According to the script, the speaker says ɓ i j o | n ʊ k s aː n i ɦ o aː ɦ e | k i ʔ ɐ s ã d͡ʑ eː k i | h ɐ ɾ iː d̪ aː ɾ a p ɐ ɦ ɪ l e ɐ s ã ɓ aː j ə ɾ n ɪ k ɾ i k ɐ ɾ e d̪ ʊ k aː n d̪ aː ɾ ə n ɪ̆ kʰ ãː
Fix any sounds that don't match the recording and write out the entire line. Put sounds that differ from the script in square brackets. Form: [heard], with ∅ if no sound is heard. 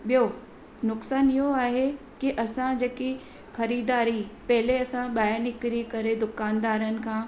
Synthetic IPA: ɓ i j o | n ʊ k s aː n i ɦ o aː ɦ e | k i ʔ ɐ s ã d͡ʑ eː k i | [x] ɐ ɾ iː d̪ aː ɾ [i] p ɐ ɦ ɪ l e ɐ s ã ɓ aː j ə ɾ n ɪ k ɾ i k ɐ ɾ e d̪ ʊ k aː n d̪ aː ɾ ə n ɪ̆ kʰ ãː

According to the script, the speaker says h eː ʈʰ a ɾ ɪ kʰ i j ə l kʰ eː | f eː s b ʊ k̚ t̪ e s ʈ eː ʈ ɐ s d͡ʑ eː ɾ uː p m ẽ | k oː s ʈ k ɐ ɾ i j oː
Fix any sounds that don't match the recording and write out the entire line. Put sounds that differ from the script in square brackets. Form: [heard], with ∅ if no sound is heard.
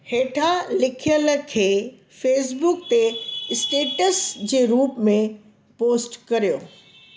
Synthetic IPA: h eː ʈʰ a [l] ɪ kʰ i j ə l kʰ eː | f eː s b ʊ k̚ t̪ e s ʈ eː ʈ [ə] s d͡ʑ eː ɾ uː p m ẽ | [p] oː s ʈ k ɐ ɾ i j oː

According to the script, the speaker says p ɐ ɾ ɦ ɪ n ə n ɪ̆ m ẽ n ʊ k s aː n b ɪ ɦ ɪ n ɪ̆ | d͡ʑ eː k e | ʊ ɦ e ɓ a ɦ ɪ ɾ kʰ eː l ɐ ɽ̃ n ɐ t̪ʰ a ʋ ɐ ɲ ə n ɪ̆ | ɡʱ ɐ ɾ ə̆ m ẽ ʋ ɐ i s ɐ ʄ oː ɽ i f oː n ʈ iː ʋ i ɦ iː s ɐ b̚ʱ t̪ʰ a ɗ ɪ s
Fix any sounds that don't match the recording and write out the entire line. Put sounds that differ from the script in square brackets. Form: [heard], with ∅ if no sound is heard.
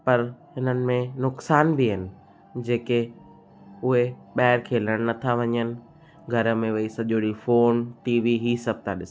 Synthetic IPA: p ɐ ɾ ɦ ɪ n ə n ɪ̆ m ẽ n ʊ k s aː n b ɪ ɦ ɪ n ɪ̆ | d͡ʑ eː k e | ʊ ɦ e ɓ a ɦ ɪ ɾ kʰ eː l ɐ ɽ̃ n ɐ t̪ʰ a ʋ ɐ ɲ ə n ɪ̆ | ɡʱ ɐ ɾ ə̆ m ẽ ʋ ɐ i s ɐ ʄ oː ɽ i f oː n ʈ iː ʋ i ɦ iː s ɐ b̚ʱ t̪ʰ a ɗ ɪ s

